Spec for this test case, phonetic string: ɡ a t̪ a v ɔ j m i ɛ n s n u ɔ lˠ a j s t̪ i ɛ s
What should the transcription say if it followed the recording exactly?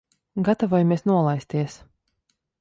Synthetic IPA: ɡ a t̪ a v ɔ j m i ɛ s n u ɔ lˠ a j s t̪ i ɛ s